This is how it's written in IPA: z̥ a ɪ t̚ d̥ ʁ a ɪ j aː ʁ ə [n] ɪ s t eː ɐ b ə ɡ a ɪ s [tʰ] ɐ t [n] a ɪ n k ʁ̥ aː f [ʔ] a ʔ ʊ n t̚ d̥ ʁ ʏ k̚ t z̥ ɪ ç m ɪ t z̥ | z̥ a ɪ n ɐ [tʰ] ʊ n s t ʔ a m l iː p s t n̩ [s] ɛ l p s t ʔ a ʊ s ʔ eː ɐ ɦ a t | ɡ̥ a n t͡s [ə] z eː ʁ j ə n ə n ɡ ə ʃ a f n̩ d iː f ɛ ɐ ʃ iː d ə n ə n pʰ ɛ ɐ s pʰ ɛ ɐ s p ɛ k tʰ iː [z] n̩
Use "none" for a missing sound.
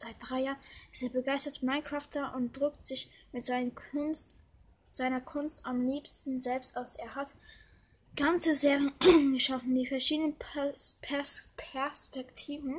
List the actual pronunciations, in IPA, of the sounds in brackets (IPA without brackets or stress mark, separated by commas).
n, t, m, t, kʰ, z, ə, v